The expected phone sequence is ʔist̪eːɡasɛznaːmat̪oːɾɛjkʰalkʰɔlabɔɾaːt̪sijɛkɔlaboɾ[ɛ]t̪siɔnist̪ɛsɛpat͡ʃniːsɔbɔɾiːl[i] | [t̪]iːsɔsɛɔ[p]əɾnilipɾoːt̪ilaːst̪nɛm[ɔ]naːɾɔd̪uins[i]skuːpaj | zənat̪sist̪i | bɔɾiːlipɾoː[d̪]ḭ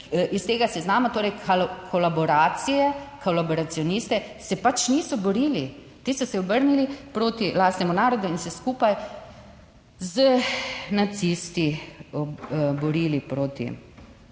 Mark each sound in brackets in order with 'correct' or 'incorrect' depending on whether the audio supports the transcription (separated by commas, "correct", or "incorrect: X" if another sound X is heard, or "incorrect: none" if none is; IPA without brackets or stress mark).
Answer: incorrect: a, correct, correct, incorrect: b, incorrect: u, incorrect: ɛ, incorrect: t̪